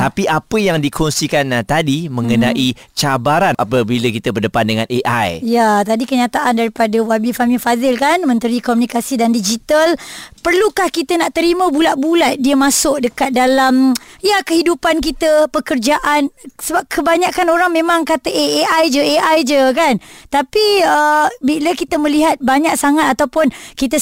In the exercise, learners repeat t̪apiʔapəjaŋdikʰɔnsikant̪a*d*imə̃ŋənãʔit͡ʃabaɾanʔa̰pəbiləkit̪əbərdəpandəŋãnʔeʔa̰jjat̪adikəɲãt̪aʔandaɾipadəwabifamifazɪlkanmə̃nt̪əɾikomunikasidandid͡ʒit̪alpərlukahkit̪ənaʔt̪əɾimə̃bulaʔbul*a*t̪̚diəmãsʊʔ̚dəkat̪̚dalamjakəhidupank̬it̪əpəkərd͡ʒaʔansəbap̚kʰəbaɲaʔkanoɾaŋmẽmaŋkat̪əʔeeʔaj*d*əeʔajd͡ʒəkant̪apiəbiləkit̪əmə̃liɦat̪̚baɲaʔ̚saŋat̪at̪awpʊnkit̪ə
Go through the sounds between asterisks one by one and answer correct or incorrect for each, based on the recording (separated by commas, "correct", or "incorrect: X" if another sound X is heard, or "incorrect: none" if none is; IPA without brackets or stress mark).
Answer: correct, correct, incorrect: d͡ʒ